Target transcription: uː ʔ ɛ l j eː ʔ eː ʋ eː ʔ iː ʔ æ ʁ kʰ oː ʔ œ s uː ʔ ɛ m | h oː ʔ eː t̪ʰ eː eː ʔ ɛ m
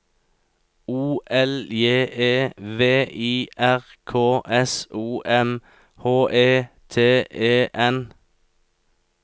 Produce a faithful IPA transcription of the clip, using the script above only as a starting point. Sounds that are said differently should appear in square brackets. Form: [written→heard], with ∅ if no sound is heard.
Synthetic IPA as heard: uː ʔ ɛ l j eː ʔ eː ʋ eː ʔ iː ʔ æ ʁ kʰ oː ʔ [œ→ɛ] s uː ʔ ɛ m | h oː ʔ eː t̪ʰ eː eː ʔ ɛ [m→n]